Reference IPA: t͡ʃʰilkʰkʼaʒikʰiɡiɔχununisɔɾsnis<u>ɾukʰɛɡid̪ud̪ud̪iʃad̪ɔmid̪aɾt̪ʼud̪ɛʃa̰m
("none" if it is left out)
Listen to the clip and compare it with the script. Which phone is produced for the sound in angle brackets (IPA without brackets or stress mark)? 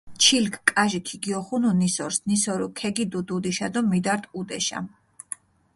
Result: ɔ